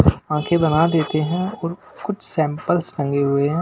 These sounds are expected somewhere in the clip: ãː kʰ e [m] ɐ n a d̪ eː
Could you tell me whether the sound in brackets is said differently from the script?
yes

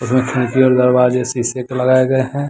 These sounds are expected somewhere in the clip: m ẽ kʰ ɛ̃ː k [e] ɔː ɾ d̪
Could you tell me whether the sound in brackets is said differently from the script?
yes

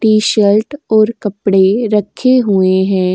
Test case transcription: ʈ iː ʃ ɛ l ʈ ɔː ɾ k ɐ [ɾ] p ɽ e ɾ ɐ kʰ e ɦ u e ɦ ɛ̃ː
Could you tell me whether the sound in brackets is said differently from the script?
yes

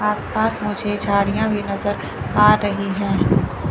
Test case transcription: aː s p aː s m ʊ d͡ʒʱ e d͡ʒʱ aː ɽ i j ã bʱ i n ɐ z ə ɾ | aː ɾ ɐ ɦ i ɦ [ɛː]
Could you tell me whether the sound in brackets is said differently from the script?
yes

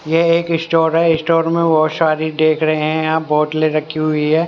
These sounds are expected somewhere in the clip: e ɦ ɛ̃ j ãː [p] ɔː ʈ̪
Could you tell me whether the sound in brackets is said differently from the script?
yes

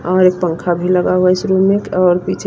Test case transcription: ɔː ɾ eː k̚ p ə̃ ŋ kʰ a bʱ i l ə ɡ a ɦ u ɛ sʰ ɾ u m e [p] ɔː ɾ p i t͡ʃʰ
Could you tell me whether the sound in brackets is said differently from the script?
yes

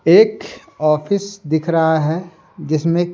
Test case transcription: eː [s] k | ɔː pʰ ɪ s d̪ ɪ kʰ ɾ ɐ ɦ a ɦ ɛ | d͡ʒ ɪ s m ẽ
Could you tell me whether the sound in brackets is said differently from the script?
yes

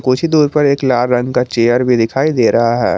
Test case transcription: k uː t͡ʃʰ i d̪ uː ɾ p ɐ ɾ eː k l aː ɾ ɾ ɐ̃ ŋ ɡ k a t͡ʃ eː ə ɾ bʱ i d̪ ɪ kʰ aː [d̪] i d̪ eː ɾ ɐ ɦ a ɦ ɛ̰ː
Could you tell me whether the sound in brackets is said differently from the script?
yes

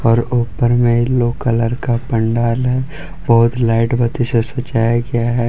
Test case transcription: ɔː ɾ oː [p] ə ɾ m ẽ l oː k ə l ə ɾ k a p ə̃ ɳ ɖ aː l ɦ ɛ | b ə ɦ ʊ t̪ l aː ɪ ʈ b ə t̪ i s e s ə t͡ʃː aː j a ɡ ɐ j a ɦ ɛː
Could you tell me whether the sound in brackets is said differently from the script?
no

